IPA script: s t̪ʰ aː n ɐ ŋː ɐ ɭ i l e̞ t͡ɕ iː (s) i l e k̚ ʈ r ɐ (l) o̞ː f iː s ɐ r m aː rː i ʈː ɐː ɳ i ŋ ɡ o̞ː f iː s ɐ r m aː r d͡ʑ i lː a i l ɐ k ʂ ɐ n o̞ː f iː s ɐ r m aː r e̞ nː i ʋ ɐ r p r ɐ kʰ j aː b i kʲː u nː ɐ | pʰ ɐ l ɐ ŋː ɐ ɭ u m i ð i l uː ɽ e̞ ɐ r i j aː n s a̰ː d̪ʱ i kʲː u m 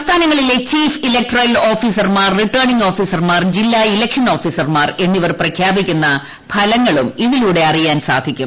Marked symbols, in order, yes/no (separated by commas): no, yes